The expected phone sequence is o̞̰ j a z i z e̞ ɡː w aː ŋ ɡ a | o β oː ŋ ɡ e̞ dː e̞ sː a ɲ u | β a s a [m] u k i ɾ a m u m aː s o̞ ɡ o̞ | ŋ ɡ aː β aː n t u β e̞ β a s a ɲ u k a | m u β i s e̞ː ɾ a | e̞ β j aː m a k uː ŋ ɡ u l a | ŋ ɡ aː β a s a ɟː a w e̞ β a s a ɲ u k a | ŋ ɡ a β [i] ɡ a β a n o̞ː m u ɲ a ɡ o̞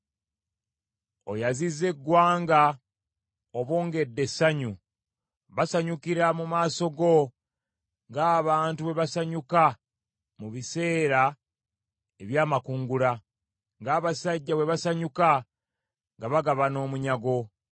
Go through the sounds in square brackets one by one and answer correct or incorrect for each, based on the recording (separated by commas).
incorrect, incorrect